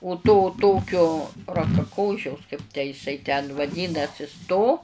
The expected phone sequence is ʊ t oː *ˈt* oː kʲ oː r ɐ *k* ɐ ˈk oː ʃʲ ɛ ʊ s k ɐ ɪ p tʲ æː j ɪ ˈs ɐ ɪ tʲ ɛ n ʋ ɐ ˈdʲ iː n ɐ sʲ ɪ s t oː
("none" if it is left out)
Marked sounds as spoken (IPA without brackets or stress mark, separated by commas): t, k